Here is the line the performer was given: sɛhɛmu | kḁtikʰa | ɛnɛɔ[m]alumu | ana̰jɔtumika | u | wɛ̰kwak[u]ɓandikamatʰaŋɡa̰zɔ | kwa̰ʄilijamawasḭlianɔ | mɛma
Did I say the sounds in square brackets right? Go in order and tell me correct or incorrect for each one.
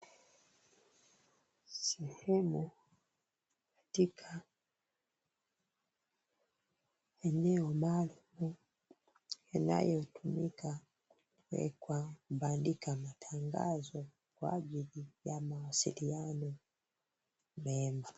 correct, correct

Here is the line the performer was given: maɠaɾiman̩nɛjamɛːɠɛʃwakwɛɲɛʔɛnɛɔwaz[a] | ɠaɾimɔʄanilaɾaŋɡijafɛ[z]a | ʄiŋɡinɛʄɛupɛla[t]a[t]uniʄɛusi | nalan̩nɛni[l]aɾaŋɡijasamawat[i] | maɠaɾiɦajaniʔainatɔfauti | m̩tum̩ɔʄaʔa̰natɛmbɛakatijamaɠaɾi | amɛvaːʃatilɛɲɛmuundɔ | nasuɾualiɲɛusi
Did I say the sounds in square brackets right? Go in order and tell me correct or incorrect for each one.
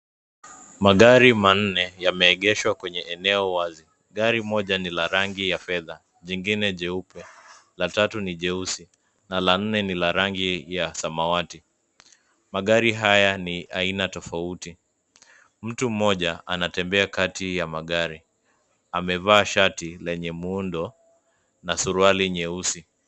incorrect: i, incorrect: ð, correct, correct, correct, correct

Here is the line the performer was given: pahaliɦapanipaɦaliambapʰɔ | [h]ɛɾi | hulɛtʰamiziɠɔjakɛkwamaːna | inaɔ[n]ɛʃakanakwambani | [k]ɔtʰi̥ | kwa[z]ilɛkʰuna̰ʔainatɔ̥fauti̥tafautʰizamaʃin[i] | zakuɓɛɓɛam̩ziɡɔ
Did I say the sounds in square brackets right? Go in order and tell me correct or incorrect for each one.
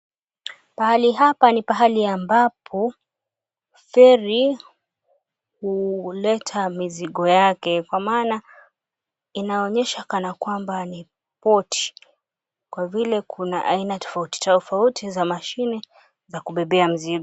incorrect: f, incorrect: ɲ, incorrect: p, incorrect: v, incorrect: ɛ

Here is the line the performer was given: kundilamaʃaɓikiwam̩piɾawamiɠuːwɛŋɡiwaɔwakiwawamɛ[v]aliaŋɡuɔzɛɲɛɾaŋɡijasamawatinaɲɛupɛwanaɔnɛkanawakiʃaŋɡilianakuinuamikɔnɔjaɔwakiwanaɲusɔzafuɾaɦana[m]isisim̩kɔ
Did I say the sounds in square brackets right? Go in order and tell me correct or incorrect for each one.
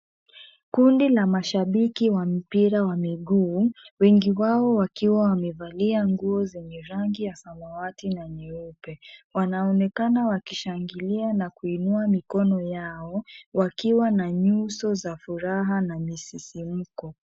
correct, correct

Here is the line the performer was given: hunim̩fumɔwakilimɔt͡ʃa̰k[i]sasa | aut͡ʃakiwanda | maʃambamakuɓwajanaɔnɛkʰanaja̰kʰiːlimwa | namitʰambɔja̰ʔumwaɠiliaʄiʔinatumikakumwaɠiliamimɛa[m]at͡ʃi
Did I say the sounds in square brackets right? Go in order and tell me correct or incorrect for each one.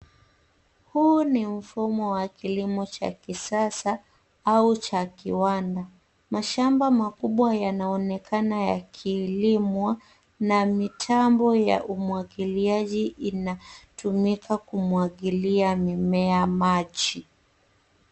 correct, correct

